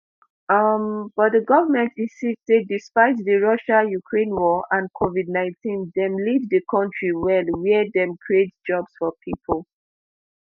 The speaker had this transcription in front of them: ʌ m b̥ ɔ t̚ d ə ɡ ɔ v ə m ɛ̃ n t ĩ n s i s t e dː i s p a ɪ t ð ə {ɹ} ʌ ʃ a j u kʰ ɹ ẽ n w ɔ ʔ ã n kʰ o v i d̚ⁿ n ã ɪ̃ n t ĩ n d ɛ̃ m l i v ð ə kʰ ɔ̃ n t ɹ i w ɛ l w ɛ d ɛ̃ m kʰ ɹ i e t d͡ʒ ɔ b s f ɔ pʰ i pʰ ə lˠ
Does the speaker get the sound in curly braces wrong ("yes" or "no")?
no